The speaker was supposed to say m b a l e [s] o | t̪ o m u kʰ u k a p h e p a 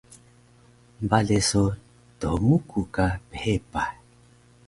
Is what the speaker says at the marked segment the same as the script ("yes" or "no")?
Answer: yes